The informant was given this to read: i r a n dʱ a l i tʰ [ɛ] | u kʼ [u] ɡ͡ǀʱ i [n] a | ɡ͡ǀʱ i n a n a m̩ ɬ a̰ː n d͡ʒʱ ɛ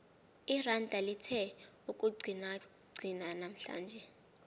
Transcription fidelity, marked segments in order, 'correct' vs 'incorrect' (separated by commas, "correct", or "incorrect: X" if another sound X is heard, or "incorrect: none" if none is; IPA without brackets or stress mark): correct, correct, correct